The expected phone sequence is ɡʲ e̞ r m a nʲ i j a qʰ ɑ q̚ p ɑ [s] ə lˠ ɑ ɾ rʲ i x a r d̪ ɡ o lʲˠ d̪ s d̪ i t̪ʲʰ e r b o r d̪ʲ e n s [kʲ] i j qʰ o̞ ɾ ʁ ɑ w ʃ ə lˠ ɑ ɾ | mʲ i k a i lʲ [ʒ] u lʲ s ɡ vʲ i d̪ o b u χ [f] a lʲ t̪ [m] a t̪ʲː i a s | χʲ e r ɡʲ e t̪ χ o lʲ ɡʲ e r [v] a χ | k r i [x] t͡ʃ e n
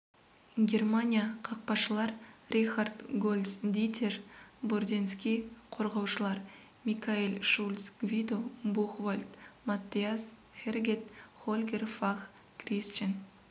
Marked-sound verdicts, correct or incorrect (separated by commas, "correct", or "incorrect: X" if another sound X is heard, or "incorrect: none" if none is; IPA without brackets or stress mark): incorrect: ʃ, correct, incorrect: ʃ, incorrect: v, correct, incorrect: f, incorrect: s